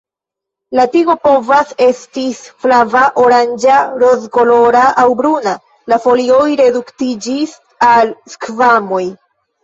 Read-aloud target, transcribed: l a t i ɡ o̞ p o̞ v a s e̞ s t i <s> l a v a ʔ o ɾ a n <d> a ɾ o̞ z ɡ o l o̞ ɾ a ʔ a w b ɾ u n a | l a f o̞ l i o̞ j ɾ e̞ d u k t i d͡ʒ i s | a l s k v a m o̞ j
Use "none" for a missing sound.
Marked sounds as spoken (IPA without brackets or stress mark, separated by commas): f, d͡ʒ